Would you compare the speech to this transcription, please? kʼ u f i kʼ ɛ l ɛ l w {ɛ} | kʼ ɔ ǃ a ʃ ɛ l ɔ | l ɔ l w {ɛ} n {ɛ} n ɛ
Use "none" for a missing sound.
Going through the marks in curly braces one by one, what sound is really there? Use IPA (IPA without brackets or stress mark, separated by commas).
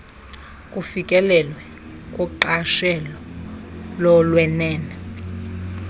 ɛ, ɛ, ɛː